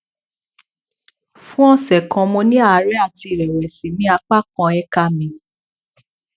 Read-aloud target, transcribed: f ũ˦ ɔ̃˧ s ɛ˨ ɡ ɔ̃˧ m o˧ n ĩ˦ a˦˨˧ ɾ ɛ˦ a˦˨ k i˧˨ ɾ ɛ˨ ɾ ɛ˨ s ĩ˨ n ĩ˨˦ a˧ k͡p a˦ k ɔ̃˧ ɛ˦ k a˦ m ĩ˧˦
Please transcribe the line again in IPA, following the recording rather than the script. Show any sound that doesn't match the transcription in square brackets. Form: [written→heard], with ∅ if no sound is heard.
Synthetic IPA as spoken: f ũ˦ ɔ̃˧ s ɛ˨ [ɡ→k] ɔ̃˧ m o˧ n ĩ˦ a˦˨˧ ɾ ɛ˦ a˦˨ [k→t] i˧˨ ɾ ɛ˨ ɾ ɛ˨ s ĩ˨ n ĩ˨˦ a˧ k͡p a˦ k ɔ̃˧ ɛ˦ k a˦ m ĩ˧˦